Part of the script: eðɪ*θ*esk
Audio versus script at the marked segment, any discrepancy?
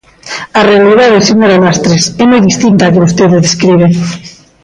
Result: yes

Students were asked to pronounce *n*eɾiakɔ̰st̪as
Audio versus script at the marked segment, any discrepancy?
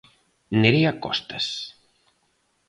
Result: no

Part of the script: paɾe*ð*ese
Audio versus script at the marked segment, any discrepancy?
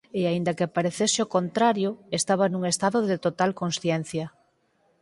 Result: yes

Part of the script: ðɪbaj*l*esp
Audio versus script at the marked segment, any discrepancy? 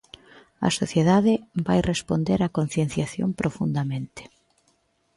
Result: yes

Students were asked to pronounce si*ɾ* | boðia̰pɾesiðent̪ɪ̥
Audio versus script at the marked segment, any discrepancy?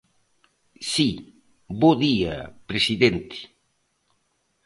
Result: yes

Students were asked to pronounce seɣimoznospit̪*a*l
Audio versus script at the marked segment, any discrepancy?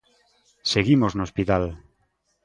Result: no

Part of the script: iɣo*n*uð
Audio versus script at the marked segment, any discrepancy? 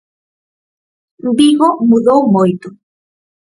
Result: yes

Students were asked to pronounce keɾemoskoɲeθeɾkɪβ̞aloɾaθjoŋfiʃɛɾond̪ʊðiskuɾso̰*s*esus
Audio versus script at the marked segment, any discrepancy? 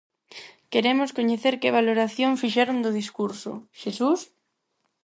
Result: yes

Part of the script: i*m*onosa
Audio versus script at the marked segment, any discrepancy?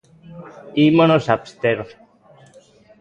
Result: no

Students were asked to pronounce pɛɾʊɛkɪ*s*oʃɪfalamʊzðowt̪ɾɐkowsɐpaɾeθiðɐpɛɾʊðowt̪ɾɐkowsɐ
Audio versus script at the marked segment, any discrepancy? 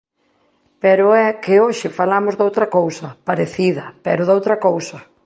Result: yes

